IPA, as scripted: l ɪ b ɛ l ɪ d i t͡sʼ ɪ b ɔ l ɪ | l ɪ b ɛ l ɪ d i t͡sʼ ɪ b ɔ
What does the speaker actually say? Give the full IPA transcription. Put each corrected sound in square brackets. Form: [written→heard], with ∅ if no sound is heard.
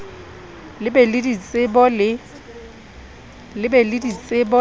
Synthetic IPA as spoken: l ɪ b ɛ l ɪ d i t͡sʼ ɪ b ɔ l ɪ | l ɪ b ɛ l ɪ d i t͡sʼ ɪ b ɔ